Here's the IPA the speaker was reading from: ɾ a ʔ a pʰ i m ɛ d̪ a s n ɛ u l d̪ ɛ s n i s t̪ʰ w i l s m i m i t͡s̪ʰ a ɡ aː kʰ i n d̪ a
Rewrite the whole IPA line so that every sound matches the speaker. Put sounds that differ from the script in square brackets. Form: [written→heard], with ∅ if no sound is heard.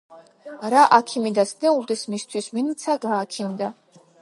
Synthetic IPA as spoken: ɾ a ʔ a [pʰ→kʰ] i m [ɛ→i] d̪ a s n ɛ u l d̪ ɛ s [n→m] i s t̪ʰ w i [l→∅] s m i [m→n] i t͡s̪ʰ a ɡ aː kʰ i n d̪ a